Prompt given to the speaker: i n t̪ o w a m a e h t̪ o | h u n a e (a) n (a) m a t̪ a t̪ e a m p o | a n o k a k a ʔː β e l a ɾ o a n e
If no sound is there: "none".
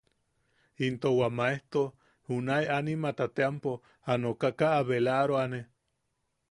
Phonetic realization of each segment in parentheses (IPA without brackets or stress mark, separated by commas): a, i